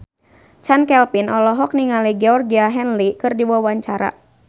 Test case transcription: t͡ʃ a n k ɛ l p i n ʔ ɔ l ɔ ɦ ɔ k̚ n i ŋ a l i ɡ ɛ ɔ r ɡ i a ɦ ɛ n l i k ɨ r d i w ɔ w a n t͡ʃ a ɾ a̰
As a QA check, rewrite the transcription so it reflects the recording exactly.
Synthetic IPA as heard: t͡ʃ a n k ɛ l p i n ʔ ɔ l ɔ ɦ ɔ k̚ n i ŋ a l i ɡ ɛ ɔ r ɡ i a ɦ ɛ n l i k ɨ r d i w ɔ w a ɲ t͡ʃ a ɾ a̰